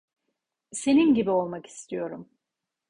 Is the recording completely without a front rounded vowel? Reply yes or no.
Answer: yes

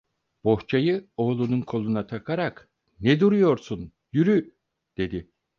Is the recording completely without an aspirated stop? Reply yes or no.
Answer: no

